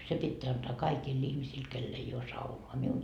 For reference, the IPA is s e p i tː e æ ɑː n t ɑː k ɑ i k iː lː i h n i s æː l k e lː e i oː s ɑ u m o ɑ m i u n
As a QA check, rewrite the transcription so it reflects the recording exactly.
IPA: s e p i tː e æ ɑ n t ɑː k ɑ i k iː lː i h m i s iː l k e lː e i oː s ɑ u n o ɑ m i u n